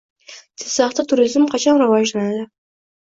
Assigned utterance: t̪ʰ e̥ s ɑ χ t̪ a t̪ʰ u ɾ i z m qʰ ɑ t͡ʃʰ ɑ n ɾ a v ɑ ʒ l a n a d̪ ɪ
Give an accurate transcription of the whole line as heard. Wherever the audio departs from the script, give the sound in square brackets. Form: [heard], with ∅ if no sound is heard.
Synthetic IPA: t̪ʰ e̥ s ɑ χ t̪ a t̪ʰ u ɾ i z m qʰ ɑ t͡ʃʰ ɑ n ɾ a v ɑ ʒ l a n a d̪ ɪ